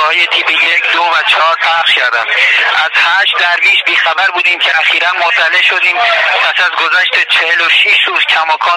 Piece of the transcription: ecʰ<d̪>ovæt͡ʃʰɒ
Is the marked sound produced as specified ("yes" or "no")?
yes